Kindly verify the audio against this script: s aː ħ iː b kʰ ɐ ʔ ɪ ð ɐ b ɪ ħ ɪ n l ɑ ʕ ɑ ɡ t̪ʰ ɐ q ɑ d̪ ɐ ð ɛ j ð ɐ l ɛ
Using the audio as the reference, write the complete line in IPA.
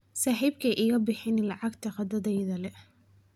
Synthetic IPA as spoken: s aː ħ iː b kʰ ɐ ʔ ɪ ɣ ɐ b ɪ ħ ɪ n l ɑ ʕ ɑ ɡ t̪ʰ ɐ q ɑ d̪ ɐ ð ɛ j ð ɐ l ɛ